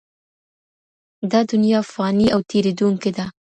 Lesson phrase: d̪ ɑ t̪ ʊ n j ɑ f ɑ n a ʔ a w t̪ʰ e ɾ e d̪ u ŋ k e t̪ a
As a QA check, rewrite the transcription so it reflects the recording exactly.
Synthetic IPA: d̪ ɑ d̪ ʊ n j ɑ f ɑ n i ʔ a w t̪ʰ e ɾ e d̪ u ŋ k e d̪ a